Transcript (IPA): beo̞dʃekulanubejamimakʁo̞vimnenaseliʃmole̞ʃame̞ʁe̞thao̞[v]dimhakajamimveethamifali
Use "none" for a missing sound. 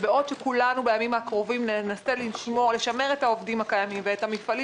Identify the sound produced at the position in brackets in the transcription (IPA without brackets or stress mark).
v